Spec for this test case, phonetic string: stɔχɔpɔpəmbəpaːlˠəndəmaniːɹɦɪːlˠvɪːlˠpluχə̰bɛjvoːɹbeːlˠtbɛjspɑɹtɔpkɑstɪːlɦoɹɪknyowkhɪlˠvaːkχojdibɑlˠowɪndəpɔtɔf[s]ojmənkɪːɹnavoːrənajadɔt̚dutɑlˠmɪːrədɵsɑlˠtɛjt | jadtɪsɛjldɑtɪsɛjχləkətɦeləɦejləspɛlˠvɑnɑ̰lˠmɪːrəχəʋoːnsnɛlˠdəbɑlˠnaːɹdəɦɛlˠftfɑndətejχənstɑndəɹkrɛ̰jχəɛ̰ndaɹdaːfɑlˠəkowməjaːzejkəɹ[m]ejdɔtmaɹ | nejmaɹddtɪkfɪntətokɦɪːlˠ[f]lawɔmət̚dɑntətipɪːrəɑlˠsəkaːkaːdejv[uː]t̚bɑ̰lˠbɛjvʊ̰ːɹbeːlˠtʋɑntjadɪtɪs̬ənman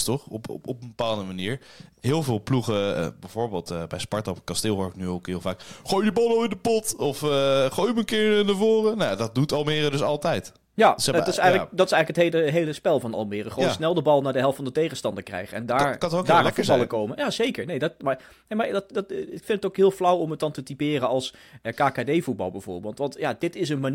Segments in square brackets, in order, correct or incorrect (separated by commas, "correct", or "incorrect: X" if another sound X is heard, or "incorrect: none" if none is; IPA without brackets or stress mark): incorrect: χ, incorrect: n, correct, incorrect: u